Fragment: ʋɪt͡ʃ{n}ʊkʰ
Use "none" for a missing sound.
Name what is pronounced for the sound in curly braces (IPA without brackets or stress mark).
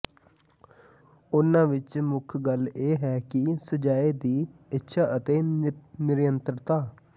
m